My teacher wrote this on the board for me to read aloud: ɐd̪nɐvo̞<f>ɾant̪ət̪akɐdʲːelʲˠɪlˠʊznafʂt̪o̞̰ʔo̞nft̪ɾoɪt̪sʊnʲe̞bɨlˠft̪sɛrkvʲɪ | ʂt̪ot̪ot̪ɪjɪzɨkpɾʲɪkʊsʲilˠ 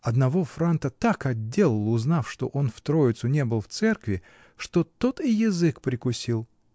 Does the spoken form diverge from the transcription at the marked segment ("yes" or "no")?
no